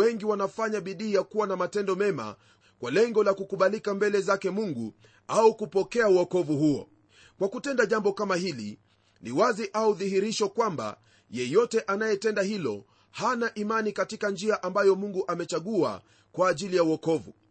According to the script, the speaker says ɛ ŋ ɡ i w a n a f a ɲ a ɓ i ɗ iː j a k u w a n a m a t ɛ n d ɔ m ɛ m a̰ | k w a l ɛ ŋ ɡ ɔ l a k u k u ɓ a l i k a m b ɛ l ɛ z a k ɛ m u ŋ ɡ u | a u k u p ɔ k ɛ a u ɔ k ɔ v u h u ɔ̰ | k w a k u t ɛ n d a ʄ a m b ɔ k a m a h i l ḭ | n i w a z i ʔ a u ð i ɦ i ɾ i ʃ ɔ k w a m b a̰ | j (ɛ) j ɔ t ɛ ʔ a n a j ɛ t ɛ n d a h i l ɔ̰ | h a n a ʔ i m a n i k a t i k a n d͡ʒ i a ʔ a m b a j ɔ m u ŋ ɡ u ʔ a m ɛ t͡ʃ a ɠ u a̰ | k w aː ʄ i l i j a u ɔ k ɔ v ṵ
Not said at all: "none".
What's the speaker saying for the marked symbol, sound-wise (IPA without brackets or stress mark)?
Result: ɛ